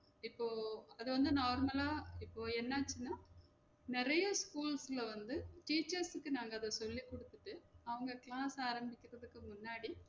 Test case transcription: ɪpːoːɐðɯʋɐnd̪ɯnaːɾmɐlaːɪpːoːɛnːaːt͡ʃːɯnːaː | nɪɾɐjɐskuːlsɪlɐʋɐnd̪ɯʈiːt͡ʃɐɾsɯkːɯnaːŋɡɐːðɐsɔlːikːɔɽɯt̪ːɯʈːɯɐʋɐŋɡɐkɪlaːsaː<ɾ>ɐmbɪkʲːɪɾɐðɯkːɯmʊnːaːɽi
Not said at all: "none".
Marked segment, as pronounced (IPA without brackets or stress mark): ɾ